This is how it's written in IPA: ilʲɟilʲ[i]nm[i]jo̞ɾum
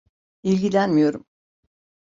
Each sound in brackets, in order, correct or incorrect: incorrect: æ, correct

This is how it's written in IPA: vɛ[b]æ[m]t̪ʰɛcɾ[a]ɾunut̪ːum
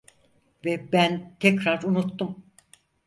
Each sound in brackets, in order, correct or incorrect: correct, incorrect: n, correct

